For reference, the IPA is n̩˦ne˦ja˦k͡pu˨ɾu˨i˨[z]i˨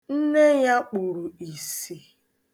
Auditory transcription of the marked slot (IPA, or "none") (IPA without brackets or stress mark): s